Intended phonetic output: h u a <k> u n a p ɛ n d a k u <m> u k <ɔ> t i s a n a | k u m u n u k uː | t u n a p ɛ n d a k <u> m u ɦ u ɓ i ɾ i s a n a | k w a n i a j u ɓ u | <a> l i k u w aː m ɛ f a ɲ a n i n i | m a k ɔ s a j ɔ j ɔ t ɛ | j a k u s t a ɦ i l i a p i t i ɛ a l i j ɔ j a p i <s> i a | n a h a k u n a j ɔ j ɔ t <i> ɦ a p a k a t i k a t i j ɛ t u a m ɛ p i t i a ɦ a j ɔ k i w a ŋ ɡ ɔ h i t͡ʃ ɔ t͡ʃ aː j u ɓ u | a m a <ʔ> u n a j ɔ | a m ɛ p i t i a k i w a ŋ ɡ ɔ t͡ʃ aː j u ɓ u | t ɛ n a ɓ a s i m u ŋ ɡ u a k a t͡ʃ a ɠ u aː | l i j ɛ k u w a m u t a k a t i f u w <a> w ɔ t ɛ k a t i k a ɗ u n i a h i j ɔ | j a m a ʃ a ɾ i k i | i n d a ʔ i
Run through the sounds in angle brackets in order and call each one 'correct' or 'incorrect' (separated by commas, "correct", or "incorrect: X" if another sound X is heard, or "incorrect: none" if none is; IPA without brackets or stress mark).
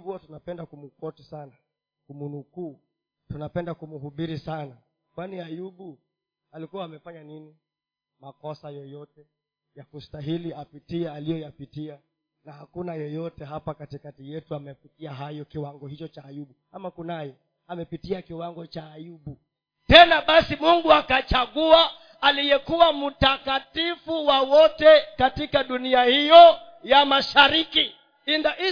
incorrect: t, correct, correct, correct, correct, incorrect: t, incorrect: ɛ, incorrect: k, correct